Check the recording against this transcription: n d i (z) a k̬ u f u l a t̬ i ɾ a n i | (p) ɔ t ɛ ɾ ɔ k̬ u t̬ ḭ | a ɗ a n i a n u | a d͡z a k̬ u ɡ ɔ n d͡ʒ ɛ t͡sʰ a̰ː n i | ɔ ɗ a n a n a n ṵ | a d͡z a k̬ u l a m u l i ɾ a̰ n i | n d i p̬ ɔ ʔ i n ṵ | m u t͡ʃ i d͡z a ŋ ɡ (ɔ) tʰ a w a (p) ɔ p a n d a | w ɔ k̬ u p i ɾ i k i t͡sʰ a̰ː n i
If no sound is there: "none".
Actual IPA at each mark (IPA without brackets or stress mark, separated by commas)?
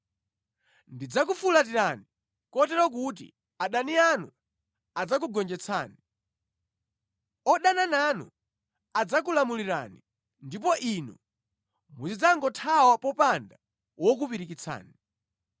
d͡z, k, ɔ, p